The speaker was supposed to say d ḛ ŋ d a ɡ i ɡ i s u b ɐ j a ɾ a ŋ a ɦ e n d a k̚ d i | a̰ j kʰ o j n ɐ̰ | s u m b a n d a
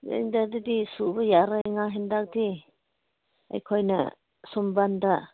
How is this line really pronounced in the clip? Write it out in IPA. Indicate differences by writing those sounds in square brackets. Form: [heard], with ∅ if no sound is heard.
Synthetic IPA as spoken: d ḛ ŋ d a [d] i [d] i s u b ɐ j a ɾ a ŋ a ɦ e n d a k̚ d i | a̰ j kʰ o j n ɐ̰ | s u m b a n d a